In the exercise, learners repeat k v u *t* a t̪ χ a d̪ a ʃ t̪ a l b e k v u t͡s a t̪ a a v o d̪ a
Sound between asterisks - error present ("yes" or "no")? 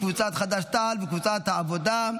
yes